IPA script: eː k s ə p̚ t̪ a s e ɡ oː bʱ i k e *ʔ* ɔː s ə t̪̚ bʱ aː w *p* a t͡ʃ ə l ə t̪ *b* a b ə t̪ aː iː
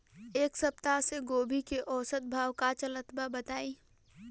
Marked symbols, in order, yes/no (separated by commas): yes, no, yes